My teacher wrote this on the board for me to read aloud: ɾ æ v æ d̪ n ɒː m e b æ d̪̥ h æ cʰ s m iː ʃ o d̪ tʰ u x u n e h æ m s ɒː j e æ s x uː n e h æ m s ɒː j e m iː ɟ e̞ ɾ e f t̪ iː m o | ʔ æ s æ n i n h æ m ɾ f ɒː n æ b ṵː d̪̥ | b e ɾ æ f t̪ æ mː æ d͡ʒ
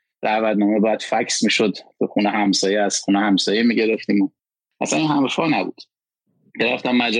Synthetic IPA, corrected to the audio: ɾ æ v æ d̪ n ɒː m e b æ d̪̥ f æ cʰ s m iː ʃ o d̪ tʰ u x u n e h æ m s ɒː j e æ s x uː n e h æ m s ɒː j e m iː ɟ e̞ ɾ e f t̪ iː m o | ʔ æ s æ n i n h æ m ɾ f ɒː n æ b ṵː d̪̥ | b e ɾ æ f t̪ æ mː æ d͡ʒ